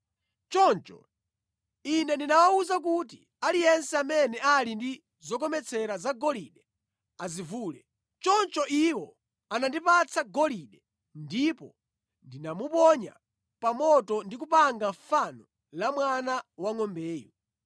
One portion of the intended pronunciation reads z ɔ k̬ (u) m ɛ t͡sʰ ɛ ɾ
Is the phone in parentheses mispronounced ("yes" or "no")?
yes